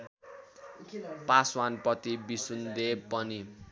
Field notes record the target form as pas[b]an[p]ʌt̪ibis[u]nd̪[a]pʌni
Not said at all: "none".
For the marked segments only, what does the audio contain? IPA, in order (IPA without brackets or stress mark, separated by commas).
w, p, u, e